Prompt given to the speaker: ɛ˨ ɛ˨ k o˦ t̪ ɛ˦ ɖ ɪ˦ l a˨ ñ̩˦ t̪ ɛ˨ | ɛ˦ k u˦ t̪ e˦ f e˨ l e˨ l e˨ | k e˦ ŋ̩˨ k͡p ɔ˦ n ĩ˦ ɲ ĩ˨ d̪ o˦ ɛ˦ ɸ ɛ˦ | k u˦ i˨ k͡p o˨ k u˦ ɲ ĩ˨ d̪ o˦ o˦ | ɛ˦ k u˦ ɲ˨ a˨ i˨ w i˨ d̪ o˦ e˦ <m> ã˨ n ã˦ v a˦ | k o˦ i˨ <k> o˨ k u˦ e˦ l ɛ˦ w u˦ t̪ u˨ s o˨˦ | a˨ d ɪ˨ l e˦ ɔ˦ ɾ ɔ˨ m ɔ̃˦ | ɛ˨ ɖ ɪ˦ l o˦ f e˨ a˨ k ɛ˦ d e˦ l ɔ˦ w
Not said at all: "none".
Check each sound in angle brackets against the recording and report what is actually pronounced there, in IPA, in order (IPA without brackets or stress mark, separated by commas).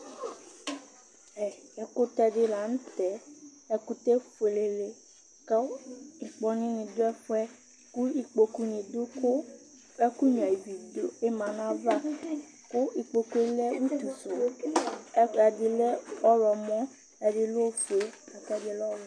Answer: m, k͡p